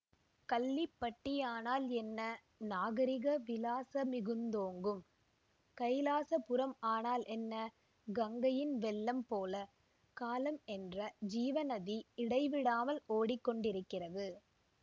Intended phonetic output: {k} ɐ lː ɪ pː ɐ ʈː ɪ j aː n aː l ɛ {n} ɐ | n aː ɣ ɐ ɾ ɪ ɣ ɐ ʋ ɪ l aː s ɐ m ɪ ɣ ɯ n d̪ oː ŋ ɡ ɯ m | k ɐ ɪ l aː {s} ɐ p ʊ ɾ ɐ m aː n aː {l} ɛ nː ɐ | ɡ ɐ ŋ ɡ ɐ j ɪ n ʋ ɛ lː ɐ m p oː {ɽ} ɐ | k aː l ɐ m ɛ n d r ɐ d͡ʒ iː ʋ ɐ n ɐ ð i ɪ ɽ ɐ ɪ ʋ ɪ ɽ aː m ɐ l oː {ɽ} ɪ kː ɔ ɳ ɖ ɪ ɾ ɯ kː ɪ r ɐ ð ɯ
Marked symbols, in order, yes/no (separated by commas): yes, no, yes, yes, no, yes